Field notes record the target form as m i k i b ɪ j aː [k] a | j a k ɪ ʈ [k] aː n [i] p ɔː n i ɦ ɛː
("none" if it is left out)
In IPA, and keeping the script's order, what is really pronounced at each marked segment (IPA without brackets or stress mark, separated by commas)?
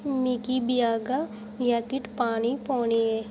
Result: ɡ, p, i